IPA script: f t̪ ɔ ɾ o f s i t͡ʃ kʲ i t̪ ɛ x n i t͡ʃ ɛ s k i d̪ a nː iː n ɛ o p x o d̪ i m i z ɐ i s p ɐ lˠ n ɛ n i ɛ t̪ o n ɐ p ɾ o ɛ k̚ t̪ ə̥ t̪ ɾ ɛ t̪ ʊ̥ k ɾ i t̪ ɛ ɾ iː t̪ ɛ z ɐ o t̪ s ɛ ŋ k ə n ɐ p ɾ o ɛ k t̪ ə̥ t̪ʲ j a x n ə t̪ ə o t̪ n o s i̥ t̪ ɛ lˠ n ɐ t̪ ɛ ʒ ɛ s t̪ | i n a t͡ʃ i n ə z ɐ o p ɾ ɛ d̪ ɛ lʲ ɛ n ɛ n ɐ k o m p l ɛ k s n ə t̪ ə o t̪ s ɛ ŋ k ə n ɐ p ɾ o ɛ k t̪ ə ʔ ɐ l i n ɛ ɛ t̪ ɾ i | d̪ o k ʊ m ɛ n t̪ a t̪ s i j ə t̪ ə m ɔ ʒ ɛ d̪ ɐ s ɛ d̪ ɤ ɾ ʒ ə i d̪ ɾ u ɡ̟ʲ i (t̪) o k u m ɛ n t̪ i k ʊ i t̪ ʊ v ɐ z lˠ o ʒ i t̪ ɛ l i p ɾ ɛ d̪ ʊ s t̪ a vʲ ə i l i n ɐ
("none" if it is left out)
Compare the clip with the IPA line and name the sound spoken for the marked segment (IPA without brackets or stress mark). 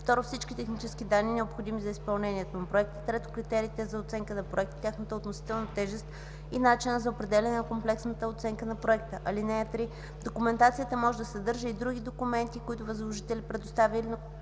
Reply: d̪